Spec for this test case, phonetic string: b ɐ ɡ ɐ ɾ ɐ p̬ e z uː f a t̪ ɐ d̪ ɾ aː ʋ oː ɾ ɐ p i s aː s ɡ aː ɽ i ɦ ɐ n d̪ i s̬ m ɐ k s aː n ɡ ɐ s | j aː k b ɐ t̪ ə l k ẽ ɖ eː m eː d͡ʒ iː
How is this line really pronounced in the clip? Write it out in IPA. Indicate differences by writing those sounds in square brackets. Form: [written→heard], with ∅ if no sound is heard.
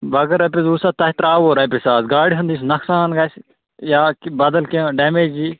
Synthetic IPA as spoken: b ɐ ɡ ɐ ɾ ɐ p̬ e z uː [f→s] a t̪ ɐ [d̪→t̪] ɾ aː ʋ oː ɾ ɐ p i s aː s ɡ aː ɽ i ɦ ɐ n d̪ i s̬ [m→n] ɐ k s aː n ɡ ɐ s | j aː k b ɐ [t̪→d̪] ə l k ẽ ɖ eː m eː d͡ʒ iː